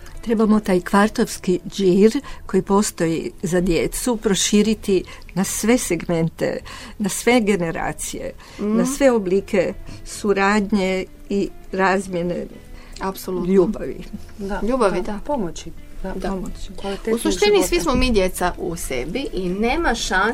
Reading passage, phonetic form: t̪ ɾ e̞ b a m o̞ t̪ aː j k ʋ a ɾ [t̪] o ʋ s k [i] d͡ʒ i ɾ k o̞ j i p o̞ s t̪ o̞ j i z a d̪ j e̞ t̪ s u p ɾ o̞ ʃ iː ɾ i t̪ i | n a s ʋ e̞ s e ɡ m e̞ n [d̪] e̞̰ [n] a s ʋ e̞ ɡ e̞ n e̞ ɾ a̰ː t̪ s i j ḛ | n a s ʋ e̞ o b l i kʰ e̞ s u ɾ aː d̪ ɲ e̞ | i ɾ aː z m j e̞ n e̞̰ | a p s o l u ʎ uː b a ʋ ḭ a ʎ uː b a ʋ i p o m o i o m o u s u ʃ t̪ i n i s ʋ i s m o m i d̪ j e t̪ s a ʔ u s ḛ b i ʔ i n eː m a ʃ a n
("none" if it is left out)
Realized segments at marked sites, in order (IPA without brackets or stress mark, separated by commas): t̪, i, t̪, n